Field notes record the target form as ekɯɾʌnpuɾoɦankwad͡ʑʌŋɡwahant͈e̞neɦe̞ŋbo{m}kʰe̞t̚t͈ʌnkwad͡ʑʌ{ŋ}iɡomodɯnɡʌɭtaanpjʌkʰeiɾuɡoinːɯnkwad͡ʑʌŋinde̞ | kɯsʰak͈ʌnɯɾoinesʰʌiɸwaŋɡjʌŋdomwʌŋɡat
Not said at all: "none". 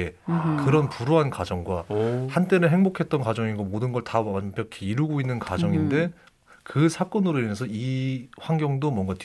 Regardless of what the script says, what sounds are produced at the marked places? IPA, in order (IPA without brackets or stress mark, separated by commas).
none, ŋ